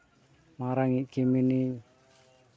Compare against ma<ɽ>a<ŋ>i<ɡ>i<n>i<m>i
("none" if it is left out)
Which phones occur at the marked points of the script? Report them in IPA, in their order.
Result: ɾ, ŋ, k, m, n

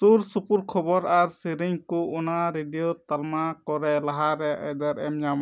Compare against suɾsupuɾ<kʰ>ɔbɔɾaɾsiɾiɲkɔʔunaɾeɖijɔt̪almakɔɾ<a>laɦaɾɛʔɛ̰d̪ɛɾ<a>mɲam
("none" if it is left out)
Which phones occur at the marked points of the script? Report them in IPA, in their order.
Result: kʰ, ɛ, ɛ

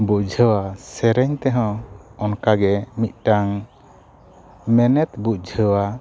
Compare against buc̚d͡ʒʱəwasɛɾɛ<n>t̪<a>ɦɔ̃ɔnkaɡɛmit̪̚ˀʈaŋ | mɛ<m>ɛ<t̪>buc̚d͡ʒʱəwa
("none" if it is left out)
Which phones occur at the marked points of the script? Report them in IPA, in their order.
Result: ɲ, ɛ, n, t̪

